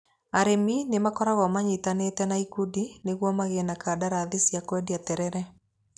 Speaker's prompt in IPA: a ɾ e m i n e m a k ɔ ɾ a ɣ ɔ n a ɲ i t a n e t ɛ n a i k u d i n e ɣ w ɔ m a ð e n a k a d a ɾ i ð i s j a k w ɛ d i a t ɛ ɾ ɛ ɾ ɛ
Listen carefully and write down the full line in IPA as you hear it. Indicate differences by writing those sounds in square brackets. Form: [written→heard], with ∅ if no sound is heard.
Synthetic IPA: a ɾ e m i n e m a k ɔ ɾ a ɣ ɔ [n→m] a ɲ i t a n e t ɛ n a i k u d i n e ɣ w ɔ m a [ð→ɣ] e n a k a d a ɾ [i→a] ð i s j a k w ɛ d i a t ɛ ɾ ɛ ɾ ɛ